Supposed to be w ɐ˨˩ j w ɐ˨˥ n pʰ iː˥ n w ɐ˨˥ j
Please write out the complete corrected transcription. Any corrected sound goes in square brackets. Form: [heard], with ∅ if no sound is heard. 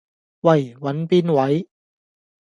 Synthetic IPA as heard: w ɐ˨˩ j w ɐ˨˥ n [p] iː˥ n w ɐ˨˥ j